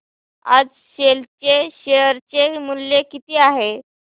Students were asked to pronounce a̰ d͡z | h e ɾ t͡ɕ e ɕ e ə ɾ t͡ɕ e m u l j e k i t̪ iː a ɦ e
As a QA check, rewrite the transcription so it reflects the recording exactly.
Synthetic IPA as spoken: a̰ d͡z | ɕ e l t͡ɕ e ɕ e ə ɾ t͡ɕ e m u l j e k i t̪ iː a ɦ e